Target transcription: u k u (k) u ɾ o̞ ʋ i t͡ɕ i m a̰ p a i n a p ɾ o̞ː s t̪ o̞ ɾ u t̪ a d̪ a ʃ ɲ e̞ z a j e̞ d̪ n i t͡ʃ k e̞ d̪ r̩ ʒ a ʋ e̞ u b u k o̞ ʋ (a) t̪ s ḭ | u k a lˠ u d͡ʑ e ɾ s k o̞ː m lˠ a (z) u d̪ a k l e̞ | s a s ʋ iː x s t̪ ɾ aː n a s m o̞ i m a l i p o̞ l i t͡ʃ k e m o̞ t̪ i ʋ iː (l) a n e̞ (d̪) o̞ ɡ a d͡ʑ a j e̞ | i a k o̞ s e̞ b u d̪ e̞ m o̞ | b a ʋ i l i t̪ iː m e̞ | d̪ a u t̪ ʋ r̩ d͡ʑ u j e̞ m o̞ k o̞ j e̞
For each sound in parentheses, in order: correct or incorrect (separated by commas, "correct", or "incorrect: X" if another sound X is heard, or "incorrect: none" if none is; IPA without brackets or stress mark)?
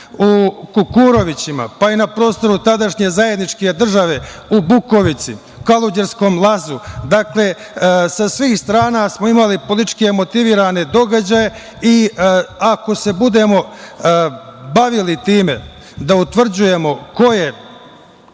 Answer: correct, incorrect: i, correct, incorrect: ɾ, correct